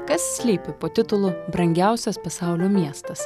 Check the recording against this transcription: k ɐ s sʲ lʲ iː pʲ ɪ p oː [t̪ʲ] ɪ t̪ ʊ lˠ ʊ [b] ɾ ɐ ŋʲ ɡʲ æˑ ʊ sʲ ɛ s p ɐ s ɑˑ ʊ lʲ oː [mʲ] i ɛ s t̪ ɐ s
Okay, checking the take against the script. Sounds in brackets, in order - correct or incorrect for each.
correct, correct, correct

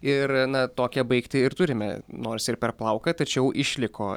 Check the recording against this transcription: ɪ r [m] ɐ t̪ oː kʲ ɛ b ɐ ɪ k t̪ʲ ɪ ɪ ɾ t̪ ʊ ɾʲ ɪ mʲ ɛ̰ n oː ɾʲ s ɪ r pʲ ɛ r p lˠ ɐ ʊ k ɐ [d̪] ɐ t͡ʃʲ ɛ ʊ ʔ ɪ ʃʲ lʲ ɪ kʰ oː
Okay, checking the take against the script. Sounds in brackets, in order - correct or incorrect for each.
incorrect: n, incorrect: t̪

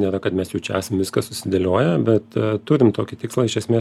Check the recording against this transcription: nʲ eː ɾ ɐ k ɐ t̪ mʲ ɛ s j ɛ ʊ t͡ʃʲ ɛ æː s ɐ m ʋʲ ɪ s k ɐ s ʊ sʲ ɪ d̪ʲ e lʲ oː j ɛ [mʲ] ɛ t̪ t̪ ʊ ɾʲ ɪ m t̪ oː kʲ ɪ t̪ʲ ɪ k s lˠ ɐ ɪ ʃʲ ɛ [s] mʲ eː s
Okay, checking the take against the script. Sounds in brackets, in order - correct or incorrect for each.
incorrect: bʲ, correct

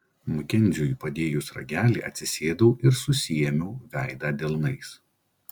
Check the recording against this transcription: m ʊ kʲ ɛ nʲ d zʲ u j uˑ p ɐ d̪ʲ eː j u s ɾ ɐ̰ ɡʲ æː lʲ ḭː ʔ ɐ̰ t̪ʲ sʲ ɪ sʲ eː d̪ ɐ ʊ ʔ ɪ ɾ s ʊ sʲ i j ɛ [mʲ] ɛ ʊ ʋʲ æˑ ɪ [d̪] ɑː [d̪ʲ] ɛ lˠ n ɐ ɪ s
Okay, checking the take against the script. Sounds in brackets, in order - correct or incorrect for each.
correct, correct, correct

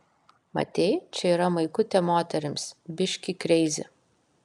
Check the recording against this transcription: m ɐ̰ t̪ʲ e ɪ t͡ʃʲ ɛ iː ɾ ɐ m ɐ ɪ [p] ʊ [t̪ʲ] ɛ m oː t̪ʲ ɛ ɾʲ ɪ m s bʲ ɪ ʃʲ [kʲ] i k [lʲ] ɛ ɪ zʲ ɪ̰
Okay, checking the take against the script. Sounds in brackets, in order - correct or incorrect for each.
incorrect: k, correct, correct, incorrect: ɾʲ

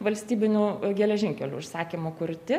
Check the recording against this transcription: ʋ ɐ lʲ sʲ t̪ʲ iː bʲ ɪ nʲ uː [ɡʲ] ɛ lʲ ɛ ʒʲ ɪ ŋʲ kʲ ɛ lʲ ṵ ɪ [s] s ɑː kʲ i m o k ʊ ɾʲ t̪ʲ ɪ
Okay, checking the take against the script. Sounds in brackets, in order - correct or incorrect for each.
correct, incorrect: ʃ

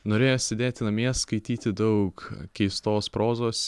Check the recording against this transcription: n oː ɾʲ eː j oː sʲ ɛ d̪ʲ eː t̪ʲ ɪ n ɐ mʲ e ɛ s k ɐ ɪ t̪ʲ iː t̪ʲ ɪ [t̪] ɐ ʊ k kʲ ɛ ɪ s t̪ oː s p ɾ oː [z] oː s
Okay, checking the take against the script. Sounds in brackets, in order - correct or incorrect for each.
incorrect: d̪, correct

